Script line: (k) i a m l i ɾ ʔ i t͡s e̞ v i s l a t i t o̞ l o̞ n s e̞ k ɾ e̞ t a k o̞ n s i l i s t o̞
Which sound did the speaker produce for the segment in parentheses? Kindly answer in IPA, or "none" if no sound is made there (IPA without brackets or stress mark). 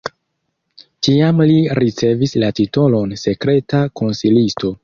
t